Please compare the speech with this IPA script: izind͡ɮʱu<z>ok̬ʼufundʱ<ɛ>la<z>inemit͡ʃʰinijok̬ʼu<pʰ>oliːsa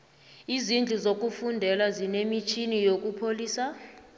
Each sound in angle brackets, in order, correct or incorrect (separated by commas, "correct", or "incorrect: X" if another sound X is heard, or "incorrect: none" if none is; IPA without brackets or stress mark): correct, correct, correct, correct